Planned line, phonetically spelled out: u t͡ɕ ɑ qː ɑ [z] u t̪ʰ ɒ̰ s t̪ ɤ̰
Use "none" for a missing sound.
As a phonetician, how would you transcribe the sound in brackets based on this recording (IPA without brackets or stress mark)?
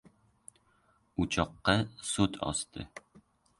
s